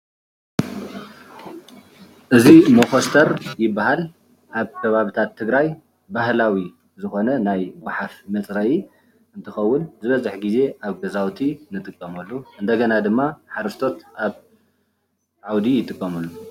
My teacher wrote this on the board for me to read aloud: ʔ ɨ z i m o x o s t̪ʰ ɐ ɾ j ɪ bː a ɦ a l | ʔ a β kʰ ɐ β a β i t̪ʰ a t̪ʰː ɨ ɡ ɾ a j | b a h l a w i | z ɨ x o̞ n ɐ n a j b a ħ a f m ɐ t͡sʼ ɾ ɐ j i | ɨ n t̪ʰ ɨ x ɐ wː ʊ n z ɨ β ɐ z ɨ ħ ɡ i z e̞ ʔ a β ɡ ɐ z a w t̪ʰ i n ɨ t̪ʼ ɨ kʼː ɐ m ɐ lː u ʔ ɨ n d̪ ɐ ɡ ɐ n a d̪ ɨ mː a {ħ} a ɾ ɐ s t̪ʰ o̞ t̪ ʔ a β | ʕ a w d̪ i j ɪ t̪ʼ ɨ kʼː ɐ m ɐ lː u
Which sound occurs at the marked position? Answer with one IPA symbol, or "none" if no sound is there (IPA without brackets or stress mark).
ħ